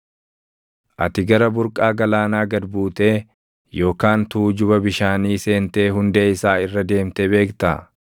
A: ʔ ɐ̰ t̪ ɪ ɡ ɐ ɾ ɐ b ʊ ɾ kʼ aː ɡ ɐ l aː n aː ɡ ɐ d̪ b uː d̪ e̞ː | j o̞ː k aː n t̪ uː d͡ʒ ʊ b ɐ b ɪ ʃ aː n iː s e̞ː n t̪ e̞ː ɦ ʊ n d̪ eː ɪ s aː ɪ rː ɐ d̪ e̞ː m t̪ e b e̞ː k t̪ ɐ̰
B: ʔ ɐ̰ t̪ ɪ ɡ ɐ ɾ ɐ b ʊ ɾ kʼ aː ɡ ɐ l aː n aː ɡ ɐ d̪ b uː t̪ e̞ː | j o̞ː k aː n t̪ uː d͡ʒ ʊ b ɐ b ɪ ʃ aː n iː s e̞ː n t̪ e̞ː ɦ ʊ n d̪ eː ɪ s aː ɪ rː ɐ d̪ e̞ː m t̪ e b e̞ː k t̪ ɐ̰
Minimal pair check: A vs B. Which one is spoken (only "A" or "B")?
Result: B